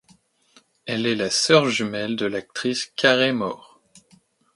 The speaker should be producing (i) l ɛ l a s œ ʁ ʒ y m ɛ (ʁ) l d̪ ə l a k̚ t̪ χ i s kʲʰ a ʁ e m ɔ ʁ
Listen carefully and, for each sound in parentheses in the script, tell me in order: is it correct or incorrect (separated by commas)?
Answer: incorrect, incorrect